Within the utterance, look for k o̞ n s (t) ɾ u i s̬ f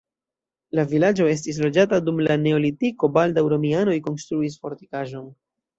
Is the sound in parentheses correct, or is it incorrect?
correct